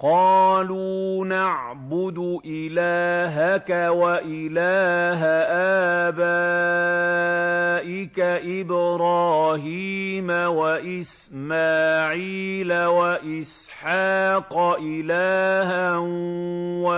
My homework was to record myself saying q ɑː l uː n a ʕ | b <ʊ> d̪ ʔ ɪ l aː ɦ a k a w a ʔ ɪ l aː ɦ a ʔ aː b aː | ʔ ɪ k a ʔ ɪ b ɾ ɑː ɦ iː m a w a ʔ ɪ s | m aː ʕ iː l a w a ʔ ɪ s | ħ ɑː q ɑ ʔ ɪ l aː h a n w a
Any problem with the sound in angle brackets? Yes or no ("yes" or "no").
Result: no